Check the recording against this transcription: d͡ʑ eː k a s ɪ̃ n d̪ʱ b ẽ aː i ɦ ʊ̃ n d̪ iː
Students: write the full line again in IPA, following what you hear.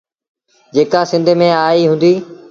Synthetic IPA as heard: d͡ʑ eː k a s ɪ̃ n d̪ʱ m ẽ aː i ɦ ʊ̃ n d̪ iː